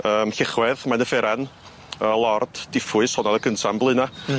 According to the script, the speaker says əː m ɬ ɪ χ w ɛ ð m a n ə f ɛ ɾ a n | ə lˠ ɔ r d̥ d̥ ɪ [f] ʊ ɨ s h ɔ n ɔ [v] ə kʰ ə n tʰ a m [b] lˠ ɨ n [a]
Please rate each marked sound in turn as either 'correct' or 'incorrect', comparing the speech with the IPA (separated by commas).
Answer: correct, incorrect, correct, correct